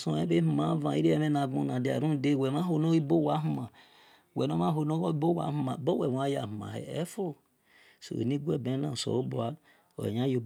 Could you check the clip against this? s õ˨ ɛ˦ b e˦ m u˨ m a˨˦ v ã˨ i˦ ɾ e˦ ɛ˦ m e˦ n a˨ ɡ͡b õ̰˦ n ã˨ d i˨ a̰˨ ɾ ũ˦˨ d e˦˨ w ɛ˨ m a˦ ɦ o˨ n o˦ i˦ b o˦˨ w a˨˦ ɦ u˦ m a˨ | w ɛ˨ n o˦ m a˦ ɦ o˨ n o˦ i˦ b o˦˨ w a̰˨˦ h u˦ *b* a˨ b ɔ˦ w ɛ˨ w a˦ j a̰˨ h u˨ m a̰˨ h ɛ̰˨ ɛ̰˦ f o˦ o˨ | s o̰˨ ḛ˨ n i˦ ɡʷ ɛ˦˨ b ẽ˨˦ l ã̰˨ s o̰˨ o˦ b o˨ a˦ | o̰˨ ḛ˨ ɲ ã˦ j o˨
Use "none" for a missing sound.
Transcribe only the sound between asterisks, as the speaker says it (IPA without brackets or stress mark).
m